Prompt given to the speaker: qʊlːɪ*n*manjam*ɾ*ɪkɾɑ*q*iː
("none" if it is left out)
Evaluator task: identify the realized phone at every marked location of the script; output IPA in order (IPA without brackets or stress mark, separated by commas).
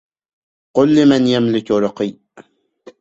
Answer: none, l, q